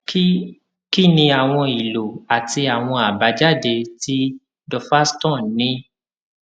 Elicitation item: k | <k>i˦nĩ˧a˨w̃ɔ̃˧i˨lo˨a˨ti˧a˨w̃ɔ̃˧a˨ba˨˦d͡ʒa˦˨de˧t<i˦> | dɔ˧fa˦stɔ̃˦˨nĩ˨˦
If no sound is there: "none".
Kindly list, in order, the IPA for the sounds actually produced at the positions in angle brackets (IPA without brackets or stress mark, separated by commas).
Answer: k, i˦